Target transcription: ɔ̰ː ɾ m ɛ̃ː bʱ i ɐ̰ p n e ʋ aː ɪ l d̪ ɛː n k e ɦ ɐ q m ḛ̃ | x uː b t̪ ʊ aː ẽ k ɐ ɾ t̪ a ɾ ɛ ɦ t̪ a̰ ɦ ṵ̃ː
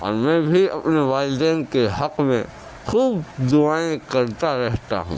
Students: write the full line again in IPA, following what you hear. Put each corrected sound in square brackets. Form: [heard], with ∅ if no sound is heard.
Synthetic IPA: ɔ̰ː ɾ m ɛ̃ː bʱ i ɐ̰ p n e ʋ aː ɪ l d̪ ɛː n k e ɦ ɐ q m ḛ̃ | x uː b [d̪] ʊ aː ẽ k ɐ ɾ t̪ a ɾ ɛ ɦ t̪ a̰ ɦ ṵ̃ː